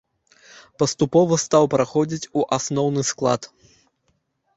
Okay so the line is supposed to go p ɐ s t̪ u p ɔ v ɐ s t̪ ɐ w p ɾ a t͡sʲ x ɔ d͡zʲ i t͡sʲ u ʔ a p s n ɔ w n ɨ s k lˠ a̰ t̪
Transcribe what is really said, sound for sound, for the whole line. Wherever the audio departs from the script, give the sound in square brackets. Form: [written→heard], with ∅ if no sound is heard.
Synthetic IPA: p ɐ s t̪ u p ɔ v ɐ s t̪ [ɐ→a] w p ɾ a [t͡sʲ→∅] x ɔ d͡zʲ i t͡sʲ u ʔ a [p→∅] s n ɔ w n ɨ s k lˠ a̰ t̪